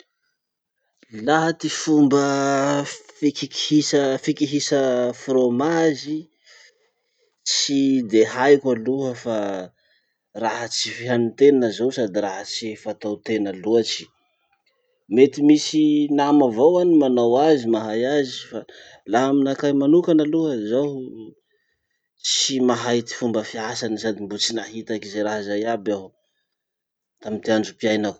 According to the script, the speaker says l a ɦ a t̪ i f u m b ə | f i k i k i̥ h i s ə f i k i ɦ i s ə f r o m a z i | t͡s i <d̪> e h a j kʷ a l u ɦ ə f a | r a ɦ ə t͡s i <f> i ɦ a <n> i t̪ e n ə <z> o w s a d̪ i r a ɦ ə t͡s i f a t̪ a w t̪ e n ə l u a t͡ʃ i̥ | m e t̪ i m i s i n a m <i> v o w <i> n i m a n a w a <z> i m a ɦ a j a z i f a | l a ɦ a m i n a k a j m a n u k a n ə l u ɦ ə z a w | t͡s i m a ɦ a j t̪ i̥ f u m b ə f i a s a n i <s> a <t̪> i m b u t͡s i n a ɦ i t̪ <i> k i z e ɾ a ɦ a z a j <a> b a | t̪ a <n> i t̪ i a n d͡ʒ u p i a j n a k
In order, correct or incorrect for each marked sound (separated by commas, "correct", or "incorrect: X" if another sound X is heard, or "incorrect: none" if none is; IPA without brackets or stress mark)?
correct, correct, correct, correct, incorrect: a, incorrect: a, correct, correct, incorrect: d̪, incorrect: a, correct, incorrect: m